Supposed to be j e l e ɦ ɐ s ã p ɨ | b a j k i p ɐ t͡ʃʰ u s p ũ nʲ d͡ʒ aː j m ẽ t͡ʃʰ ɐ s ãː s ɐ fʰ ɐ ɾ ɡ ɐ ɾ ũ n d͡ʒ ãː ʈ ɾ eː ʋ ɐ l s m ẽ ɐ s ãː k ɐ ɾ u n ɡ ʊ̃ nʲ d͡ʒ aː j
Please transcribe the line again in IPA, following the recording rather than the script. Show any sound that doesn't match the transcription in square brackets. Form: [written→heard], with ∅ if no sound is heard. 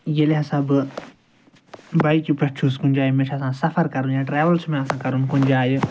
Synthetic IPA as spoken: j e l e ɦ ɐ s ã [p→b] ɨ | b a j k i p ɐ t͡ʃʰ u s [p→k] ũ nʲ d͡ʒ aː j m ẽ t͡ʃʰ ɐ s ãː s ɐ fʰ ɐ ɾ [ɡ→k] ɐ ɾ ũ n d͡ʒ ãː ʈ ɾ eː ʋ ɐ l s m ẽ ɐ s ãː k ɐ ɾ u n [ɡ→k] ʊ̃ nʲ d͡ʒ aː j